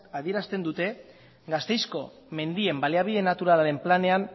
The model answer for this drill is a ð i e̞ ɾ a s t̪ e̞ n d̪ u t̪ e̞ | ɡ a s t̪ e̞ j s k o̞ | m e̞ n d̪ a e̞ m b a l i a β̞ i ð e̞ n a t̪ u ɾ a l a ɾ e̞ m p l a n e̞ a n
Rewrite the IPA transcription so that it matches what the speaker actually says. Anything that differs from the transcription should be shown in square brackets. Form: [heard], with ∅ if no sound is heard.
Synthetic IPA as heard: a ð i e̞ ɾ a s t̪ e̞ n d̪ u t̪ e̞ | ɡ a s t̪ e̞ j s k o̞ | m e̞ n d̪ [i] e̞ m b a l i a β̞ i ð e̞ n a t̪ u ɾ a l a ɾ e̞ m p l a n e̞ a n

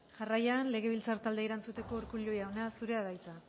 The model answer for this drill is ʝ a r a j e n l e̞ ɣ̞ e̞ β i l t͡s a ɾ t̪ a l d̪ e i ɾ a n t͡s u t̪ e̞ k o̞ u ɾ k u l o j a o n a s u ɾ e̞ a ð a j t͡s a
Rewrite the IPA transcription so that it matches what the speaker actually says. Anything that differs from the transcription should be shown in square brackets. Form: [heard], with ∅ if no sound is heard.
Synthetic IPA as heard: ʝ a r a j [a] n l e̞ ɣ̞ e̞ β i l t͡s a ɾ t̪ a l d̪ e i ɾ a n t͡s u t̪ e̞ k o̞ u ɾ k u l o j a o n a s u ɾ e̞ a ð a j t͡s a

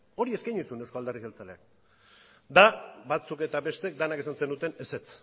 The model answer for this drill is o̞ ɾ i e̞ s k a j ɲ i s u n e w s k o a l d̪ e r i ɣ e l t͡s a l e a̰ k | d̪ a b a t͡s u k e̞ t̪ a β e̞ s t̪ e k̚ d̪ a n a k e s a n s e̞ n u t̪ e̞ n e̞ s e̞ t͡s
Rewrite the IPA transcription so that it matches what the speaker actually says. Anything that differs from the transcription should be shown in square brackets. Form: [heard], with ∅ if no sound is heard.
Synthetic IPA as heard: o̞ ɾ i e̞ s k a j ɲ i s u n e w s k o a l d̪ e r i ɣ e l t͡s a l e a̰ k | d̪ a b a t͡s u k e̞ t̪ a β e̞ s t̪ e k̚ d̪ a n a k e s a n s e̞ n u t̪ e̞ n e̞ s e̞ t͡s

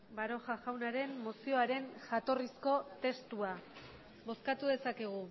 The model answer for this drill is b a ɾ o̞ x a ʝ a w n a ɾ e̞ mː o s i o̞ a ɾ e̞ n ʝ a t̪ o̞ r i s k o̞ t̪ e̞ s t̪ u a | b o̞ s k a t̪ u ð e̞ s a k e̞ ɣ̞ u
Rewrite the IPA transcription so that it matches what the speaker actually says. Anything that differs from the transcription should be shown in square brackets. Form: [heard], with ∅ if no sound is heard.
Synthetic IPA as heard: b a ɾ o̞ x a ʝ a w n a ɾ e̞ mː o s i o̞ a ɾ e̞ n ʝ a t̪ o̞ r i s k o̞ t̪ e̞ s t̪ u a | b o̞ s k a t̪ u ð e̞ s a k e̞ ɣ̞ u

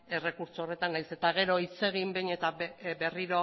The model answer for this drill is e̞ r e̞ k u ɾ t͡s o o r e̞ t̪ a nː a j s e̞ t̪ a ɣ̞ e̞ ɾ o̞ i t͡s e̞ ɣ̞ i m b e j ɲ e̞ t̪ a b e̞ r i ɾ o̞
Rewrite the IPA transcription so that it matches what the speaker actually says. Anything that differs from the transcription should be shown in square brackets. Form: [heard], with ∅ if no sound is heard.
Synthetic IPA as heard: e̞ r e̞ k u ɾ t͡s o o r e̞ t̪ a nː a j s e̞ t̪ a ɣ̞ e̞ ɾ o̞ i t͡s e̞ ɣ̞ i m b e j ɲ e̞ t̪ a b e̞ r i ɾ o̞

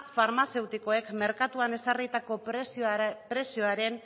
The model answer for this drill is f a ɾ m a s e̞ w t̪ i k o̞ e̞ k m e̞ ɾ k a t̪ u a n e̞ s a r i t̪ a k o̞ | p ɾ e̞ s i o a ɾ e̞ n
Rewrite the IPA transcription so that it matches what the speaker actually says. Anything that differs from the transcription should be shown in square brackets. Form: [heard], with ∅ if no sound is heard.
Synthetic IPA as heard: f a ɾ m a s e̞ w t̪ i k o̞ e̞ k m e̞ ɾ k a t̪ u a n e̞ s a r i t̪ a k o̞ | p ɾ e̞ s i o a ɾ e̞ n

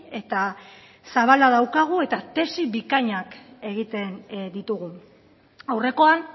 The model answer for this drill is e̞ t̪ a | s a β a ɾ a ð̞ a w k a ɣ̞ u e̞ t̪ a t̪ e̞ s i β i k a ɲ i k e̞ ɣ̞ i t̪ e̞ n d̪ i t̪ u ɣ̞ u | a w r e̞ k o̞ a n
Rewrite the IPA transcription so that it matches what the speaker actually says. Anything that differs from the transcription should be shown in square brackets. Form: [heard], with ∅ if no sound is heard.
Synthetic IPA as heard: e̞ t̪ a | s a β a [l] a ð̞ a w k a ɣ̞ u e̞ t̪ a t̪ e̞ s i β i k a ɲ [a] k e̞ ɣ̞ i t̪ e̞ n d̪ i t̪ u ɣ̞ u | a w r e̞ k o̞ a n

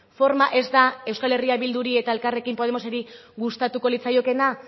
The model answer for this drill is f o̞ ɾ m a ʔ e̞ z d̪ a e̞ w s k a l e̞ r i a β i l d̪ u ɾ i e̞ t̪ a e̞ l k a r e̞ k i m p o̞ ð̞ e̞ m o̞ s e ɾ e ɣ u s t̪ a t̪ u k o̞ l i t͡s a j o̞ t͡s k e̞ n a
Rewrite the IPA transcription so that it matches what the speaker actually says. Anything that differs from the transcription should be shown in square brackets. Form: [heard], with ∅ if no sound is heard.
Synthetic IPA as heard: f o̞ ɾ m a ʔ e̞ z d̪ a e̞ w s k a l e̞ r i a β i l d̪ u ɾ i e̞ t̪ a e̞ l k a r e̞ k i m p o̞ ð̞ e̞ m o̞ s e ɾ [i] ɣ u s t̪ a t̪ u k o̞ l i t͡s a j o̞ [∅] k e̞ n a

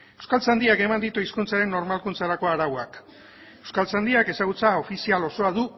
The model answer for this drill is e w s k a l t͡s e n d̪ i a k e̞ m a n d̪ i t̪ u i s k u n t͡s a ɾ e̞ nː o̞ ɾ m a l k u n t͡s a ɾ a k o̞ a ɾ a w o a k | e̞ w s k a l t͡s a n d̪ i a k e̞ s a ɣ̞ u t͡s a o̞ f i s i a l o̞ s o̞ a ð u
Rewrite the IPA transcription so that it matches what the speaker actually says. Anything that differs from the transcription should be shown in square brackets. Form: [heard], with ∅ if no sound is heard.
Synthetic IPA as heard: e w s k a l t͡s [a] n d̪ i a k e̞ m a n d̪ i t̪ u i s k u n t͡s a ɾ e̞ nː o̞ ɾ m a l k u n t͡s a ɾ a k o̞ a ɾ a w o a k | e̞ w s k a l t͡s a n d̪ i a k e̞ s a ɣ̞ u t͡s a o̞ f i s i a l o̞ s o̞ a ð u

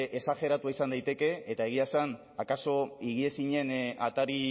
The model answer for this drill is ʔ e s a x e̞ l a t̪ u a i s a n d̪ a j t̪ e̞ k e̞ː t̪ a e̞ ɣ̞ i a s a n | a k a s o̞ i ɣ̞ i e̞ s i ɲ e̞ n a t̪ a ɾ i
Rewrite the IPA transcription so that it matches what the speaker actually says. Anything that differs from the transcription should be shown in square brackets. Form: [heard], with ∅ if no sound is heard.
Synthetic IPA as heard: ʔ e s a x e̞ [ɾ] a t̪ u a i s a n d̪ a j t̪ e̞ k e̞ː t̪ a e̞ ɣ̞ i a s a n | a k a s o̞ i ɣ̞ i e̞ s i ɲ e̞ n a t̪ a ɾ i

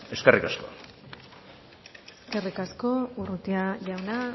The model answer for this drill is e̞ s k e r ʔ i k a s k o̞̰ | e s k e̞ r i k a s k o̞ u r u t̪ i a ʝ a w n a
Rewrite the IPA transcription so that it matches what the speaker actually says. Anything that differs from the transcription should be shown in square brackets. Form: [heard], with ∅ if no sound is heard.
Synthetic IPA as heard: e̞ s k e r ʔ i k a s k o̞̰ | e s k e̞ r i k a s k o̞ u r u t̪ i a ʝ a w n a

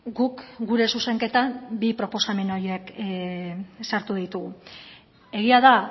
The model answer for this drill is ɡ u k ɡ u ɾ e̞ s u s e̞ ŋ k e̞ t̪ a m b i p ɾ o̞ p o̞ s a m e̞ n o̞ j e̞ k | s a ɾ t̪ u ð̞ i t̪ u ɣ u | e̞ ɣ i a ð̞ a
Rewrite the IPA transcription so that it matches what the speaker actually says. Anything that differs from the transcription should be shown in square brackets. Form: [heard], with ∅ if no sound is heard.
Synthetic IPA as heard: ɡ u k ɡ u ɾ e̞ s u s e̞ ŋ k e̞ t̪ a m b i p ɾ o̞ p o̞ s a m e̞ n o̞ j e̞ k | s a ɾ t̪ u ð̞ i t̪ u ɣ u | e̞ ɣ i a ð̞ a

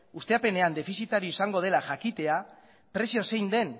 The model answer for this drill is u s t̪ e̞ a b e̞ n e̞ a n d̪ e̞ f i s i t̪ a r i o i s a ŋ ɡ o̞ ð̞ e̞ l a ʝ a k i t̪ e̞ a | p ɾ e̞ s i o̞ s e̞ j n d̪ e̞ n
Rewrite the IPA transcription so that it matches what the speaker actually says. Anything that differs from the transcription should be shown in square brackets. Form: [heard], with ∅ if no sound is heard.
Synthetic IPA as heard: u s t̪ e̞ a [p] e̞ n e̞ a n d̪ e̞ f i s i t̪ a [ɾ] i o i s a ŋ ɡ o̞ ð̞ e̞ l a ʝ a k i t̪ e̞ a | p ɾ e̞ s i o̞ s e̞ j n d̪ e̞ n

